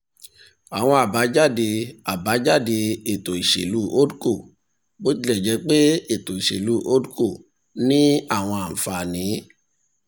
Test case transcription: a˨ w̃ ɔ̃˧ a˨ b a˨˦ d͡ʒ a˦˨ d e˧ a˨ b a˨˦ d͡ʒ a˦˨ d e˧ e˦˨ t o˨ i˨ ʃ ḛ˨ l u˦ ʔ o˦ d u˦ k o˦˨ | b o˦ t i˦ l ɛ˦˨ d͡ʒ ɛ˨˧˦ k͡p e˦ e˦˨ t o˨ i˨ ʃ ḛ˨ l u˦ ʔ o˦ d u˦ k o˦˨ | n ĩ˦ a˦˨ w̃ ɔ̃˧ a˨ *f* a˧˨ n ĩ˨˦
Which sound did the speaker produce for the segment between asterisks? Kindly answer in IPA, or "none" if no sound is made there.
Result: f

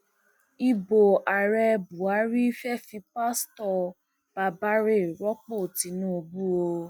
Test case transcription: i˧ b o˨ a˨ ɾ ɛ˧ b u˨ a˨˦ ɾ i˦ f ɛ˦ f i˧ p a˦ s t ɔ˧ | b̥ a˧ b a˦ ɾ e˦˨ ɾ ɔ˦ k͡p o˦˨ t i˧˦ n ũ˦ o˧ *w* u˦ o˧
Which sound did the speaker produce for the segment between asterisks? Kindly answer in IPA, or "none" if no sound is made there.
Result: b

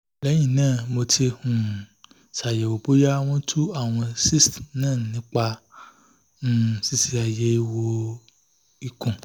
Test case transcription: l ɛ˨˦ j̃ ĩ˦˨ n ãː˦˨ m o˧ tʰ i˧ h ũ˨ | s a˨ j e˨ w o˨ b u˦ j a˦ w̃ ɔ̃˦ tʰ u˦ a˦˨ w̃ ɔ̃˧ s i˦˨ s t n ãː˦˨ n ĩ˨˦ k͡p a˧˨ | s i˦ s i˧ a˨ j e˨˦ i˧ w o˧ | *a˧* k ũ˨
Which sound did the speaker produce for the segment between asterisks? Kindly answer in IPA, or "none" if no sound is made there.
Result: i˧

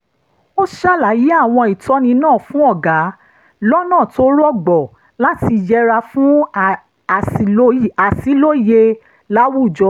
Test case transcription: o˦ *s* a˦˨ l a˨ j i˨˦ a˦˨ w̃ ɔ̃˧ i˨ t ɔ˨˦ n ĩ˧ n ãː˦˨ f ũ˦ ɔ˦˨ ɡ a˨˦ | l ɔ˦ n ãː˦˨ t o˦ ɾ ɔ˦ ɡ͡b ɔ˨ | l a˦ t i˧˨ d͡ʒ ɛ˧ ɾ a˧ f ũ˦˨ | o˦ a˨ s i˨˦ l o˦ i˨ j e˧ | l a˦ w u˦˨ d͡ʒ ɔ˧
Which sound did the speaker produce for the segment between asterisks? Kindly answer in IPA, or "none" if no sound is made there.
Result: ʃ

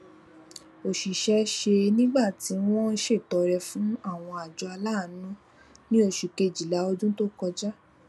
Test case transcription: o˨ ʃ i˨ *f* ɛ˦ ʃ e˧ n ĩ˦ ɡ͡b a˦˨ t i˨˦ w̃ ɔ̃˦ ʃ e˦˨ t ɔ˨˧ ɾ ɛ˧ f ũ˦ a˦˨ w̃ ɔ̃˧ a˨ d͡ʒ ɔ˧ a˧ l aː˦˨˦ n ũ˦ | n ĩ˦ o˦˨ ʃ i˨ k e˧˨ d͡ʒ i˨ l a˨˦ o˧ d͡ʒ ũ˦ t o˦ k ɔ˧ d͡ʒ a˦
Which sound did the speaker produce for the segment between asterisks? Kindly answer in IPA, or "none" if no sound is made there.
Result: ʃ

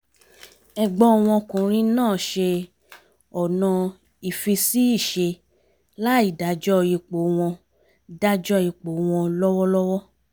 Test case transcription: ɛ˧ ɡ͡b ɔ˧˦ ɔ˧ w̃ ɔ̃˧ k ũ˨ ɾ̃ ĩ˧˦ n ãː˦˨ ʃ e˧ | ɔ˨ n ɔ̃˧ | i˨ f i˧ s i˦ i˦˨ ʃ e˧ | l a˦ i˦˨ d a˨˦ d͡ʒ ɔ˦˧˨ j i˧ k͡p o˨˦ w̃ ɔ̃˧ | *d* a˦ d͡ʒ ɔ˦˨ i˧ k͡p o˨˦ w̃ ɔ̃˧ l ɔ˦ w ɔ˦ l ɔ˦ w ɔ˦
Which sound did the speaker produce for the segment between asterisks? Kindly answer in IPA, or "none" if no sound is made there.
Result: d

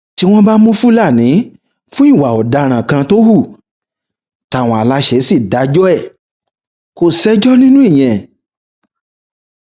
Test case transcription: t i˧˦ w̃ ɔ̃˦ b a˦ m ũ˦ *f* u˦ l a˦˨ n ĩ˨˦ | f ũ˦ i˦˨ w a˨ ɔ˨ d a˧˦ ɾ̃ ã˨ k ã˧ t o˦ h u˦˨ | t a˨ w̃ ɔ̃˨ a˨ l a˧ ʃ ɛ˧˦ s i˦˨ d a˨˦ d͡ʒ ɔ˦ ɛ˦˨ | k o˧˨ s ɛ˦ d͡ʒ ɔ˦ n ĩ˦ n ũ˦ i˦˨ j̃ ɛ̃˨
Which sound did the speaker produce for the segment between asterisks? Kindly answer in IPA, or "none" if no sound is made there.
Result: f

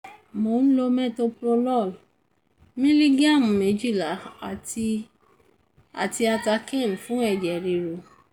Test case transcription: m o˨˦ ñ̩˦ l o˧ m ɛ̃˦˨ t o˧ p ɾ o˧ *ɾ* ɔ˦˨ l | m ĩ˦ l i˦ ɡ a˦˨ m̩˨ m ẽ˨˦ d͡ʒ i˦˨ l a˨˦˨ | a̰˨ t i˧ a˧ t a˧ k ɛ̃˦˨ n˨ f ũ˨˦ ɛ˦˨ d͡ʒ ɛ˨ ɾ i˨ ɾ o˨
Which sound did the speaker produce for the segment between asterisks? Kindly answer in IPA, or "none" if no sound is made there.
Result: l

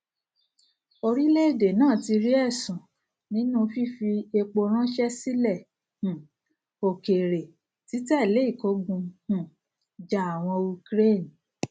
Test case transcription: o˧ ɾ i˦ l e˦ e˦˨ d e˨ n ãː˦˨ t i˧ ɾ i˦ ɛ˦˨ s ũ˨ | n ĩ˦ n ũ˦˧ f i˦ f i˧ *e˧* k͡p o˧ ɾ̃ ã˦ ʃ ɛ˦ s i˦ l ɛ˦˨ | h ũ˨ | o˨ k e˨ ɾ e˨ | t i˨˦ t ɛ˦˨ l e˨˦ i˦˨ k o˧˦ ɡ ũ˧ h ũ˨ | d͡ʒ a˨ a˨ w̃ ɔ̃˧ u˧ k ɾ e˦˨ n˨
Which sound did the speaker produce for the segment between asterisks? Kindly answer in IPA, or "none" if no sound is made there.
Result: e˧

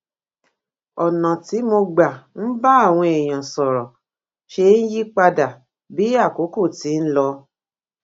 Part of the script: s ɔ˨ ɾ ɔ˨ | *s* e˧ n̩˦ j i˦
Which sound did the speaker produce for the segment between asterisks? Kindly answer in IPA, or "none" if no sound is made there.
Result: ʃ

